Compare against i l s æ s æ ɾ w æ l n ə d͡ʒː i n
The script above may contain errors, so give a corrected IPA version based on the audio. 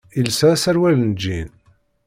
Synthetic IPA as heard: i l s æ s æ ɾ w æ l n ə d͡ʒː i n